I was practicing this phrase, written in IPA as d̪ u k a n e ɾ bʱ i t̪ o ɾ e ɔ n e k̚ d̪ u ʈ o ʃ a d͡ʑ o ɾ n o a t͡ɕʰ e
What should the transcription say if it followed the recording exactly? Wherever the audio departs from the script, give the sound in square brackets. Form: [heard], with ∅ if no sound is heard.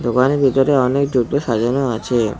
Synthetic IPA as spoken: d̪ [o] k a n e ɾ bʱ i t̪ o ɾ e ɔ n e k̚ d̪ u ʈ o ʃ a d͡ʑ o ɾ n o a t͡ɕʰ e